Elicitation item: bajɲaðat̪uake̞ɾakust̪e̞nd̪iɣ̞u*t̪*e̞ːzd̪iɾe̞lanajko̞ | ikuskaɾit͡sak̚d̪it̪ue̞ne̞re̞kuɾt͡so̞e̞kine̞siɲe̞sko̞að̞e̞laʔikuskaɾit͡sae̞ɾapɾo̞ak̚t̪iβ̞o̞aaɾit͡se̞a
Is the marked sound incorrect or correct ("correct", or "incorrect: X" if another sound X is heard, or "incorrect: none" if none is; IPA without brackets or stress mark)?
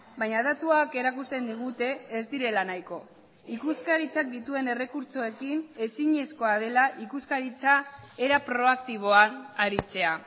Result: correct